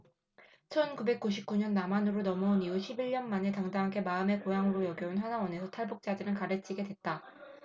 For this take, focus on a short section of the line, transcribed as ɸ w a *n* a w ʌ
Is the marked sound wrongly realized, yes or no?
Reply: no